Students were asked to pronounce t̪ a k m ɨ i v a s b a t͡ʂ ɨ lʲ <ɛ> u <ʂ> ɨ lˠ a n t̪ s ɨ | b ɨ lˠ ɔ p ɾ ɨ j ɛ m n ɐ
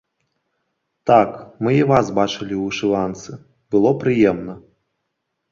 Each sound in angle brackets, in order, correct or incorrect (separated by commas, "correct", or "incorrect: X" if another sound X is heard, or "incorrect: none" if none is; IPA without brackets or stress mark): incorrect: i, correct